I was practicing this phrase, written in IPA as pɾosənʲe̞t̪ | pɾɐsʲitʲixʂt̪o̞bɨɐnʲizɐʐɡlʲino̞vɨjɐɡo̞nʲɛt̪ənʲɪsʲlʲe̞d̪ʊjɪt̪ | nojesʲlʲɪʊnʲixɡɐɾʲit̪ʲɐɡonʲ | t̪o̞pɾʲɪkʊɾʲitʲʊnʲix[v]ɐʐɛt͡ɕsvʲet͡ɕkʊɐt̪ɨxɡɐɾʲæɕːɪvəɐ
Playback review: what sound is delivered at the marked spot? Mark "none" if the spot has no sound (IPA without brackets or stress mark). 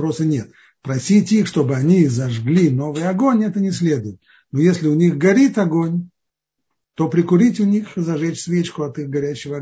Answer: z